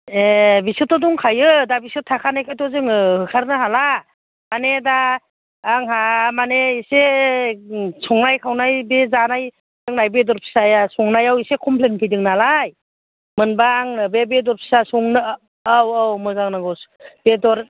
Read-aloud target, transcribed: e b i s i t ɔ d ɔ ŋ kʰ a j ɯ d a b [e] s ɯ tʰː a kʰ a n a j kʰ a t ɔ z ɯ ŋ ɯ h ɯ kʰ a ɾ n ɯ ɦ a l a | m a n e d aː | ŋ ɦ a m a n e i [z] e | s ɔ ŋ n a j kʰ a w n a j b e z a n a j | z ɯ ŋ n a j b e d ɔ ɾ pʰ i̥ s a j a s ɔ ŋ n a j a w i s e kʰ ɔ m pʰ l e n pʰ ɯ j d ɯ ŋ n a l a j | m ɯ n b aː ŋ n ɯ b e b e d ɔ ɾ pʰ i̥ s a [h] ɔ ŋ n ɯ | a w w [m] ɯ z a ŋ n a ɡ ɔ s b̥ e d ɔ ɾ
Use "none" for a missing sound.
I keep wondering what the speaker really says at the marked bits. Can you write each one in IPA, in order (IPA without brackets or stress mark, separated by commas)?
i, s, s, m